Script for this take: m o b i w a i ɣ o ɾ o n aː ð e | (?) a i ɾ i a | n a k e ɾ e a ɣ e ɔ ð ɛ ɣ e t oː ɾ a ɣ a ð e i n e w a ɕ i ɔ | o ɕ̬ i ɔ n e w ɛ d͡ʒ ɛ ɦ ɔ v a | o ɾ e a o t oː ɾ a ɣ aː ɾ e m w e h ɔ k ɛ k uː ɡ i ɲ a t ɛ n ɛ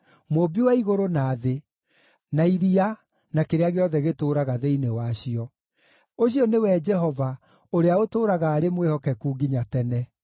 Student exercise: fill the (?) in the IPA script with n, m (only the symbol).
n